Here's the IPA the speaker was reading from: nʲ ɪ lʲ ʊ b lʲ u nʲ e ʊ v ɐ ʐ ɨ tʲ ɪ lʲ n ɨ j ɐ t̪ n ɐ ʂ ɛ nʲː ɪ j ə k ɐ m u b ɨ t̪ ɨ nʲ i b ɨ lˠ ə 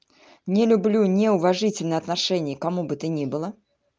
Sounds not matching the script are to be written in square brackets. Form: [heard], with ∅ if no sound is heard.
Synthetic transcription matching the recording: nʲ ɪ lʲ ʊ b lʲ u nʲ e ʊ v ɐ ʐ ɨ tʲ ɪ lʲ n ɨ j ɐ t̪ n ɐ ʂ ɛ [nʲ] ɪ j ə k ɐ m u b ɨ t̪ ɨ nʲ i b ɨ lˠ ə

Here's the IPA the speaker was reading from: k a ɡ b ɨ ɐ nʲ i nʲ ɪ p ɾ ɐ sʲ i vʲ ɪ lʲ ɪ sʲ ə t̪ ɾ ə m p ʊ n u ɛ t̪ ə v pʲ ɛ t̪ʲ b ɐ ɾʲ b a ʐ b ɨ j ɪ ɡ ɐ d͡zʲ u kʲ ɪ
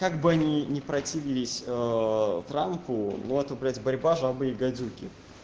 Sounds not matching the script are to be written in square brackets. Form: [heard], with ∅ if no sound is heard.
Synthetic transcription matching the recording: k a ɡ b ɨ ɐ nʲ i nʲ ɪ p ɾ ɐ [tʲ] i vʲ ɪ lʲ ɪ sʲ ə t̪ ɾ [a] m p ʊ n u ɛ t̪ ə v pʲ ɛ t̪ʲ b ɐ ɾʲ b a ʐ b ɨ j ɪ ɡ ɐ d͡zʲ u kʲ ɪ

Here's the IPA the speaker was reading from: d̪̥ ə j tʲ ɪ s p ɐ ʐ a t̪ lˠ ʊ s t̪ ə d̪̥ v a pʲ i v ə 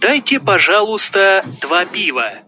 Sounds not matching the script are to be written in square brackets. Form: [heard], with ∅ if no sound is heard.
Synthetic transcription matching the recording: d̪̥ [a] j tʲ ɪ [∅] p ɐ ʐ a [∅] lˠ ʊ s t̪ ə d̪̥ v a pʲ i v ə

